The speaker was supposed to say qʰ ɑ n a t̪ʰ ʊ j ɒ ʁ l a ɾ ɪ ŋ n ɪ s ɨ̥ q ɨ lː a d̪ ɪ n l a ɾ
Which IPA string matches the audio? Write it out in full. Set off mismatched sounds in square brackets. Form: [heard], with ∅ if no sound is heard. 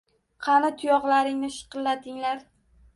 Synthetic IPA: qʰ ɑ n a t̪ʰ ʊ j ɒ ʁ l a ɾ ɪ ŋ n ɪ [ʃ] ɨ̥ q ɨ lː a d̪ ɪ [ŋ] l a ɾ